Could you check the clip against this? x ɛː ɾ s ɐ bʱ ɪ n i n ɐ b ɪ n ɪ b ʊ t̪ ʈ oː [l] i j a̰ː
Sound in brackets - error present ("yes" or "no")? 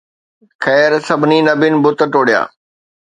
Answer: yes